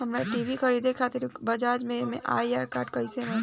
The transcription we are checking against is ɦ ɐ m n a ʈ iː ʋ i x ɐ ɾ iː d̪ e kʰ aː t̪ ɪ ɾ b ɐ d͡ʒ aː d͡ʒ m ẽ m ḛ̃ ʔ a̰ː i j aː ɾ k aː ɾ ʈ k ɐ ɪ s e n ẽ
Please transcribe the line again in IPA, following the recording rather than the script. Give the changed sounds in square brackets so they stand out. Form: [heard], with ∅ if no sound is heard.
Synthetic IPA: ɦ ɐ m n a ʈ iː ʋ i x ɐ ɾ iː d̪ e kʰ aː t̪ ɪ ɾ b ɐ d͡ʒ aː d͡ʒ m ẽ m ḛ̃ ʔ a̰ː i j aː ɾ k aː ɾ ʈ k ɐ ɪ s e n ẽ